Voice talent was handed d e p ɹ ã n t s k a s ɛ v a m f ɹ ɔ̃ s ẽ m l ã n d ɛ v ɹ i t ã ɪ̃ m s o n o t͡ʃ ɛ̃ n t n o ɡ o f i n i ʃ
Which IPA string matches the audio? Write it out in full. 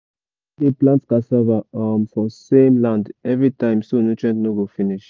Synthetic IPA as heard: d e p l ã n t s k a s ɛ v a m f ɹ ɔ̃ s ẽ m l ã n d ɛ v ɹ i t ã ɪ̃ m s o n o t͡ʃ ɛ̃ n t n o ɡ o f i n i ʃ